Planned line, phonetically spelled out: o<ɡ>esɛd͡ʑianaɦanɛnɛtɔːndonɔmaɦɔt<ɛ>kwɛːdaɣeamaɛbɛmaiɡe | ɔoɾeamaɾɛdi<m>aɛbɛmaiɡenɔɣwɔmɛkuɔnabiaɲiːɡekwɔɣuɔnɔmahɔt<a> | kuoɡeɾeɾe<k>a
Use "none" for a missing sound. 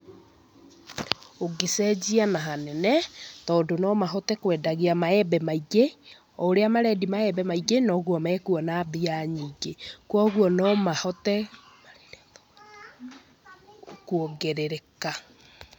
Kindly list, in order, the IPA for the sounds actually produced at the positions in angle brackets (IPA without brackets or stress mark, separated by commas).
ɡ, ɛ, m, ɛ, k